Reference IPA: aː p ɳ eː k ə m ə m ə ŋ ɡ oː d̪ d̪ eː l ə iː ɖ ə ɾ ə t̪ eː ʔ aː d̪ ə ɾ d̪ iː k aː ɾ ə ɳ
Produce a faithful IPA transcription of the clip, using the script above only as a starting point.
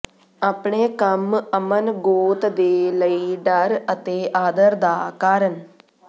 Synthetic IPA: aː p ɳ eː k ə m ə m ə n ɡ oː t̪ d̪ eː l ə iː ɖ ə ɾ ə t̪ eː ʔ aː d̪ ə ɾ d̪ aː k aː ɾ ə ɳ